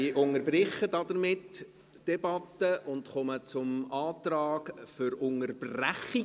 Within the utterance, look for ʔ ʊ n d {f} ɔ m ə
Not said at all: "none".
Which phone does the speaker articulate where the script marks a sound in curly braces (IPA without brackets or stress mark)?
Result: χ